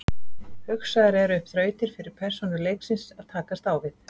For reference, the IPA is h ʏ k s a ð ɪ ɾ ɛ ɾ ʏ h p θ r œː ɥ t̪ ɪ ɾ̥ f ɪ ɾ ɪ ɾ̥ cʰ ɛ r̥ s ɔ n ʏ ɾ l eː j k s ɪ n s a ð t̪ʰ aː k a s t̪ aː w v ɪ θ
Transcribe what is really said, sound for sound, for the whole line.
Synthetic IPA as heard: h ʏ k s a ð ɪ ɾ ɛ ɾ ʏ h p θ ɾ œː ɥ t̪ ɪ ɾ̥ f ɪ ɾ ɪ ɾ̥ pʰ ɛ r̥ s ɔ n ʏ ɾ l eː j k s ɪ n s a ð t̪ʰ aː k a s t̪ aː w v ɪ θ